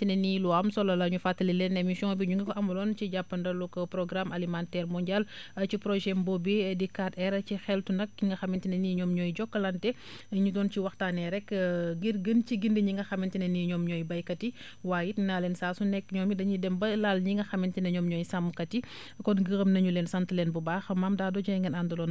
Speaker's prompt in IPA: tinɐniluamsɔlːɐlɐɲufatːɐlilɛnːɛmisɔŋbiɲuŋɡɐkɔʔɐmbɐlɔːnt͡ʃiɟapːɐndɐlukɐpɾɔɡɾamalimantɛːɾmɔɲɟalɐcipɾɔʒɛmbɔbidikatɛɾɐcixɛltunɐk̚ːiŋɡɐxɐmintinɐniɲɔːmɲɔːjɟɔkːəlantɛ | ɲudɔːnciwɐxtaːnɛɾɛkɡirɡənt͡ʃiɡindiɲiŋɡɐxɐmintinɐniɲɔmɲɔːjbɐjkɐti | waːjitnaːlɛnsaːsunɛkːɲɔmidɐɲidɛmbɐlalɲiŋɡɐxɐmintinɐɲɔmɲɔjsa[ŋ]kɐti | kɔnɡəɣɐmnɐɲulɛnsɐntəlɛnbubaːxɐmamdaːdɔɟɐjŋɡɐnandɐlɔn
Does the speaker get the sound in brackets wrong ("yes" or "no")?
yes